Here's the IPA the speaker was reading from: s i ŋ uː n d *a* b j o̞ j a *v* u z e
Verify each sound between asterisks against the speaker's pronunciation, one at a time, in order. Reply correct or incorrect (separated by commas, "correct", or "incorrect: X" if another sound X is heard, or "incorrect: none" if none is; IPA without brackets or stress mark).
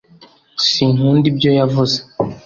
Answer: incorrect: i, correct